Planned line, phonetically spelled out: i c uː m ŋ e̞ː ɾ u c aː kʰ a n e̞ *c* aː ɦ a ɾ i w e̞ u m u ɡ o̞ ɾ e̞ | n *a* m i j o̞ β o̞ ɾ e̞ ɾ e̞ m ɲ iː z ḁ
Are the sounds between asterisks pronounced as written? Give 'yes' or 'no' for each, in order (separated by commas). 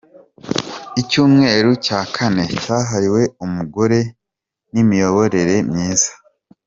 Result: yes, no